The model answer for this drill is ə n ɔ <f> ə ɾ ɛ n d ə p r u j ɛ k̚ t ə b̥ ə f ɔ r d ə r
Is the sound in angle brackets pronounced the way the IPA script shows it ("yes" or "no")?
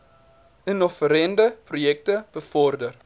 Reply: yes